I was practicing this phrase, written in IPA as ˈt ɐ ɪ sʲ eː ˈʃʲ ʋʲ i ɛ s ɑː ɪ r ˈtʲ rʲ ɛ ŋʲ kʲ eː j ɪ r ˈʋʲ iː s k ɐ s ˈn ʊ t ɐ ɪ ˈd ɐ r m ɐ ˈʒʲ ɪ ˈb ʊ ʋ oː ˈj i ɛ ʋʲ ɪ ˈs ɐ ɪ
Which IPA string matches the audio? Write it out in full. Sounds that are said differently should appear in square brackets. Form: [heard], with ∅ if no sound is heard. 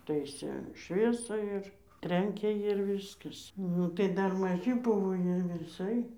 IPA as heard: ˈt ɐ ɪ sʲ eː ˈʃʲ ʋʲ i ɛ s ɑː ɪ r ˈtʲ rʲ ɛ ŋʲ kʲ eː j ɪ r ˈʋʲ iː s k ɐ s ˈn ʊ t ɐ ɪ ˈd ɐ r m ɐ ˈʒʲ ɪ ˈb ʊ ʋ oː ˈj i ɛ ʋʲ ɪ ˈs ɐ ɪ